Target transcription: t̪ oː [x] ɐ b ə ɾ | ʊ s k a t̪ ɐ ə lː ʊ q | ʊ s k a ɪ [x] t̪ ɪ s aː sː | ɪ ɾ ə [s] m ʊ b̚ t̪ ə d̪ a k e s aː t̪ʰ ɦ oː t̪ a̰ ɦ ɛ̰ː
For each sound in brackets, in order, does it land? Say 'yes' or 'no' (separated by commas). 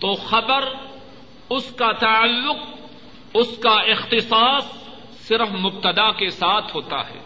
yes, yes, no